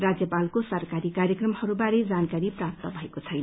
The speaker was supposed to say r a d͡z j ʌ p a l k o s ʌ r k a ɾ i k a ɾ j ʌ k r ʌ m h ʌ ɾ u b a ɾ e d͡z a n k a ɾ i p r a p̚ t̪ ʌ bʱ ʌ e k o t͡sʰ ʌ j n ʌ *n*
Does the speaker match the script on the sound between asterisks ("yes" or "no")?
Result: no